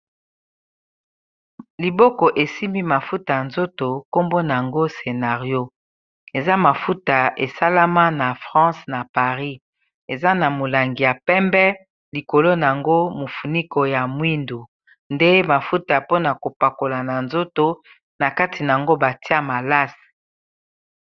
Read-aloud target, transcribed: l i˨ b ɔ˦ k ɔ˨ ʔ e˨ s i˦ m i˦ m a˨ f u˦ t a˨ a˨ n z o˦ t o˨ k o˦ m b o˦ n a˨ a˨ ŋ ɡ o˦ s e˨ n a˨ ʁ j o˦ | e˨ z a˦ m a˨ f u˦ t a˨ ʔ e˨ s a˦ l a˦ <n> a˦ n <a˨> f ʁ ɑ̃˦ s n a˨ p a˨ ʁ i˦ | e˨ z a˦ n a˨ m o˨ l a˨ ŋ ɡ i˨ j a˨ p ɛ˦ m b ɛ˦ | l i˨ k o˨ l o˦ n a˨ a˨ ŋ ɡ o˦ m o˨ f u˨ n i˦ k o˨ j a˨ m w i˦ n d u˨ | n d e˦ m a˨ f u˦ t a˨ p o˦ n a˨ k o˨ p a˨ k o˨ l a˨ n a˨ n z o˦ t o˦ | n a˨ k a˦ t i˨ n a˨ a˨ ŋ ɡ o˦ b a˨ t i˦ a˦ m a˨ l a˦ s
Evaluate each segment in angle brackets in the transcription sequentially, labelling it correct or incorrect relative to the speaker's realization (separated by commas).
incorrect, correct